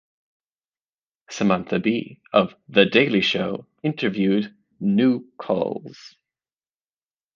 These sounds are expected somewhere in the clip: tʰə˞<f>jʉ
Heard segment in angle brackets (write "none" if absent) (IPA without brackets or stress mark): v